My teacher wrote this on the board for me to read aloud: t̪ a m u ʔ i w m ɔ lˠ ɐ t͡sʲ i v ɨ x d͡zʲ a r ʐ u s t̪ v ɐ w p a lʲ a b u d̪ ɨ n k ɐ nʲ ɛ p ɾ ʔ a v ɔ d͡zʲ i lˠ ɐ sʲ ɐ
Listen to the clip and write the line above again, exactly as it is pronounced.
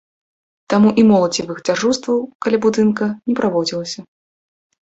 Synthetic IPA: t̪ a m u ʔ i m ɔ lˠ ɐ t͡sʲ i v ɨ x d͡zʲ a r ʐ u s t̪ v ɐ w k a lʲ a b u d̪ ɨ n k ɐ nʲ ɛ p ɾ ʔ a v ɔ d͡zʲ i lˠ ɐ sʲ ɐ